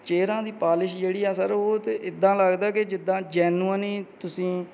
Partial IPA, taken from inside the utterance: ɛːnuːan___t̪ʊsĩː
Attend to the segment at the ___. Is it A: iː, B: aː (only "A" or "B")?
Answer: A